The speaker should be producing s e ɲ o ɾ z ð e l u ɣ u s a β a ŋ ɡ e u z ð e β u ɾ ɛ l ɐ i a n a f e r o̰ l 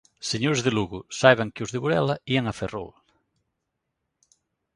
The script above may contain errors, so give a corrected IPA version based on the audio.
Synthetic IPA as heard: s e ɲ o ɾ z ð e l u ɣ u s a β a ŋ k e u z ð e β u ɾ ɛ l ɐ i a ŋ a f e r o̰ l